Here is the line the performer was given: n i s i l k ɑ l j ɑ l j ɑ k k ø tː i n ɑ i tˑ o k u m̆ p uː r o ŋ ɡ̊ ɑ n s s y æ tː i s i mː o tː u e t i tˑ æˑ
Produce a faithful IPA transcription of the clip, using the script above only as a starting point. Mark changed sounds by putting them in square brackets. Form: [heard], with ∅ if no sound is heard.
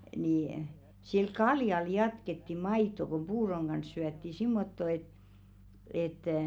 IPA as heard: n i s i l k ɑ l j ɑ l j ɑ [t] k [e] tː i [m] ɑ i tˑ o k u m̆ p uː r o ŋ ɡ̊ ɑ n s s y æ tː i s i mː o tː [o] e t [e] tˑ æˑ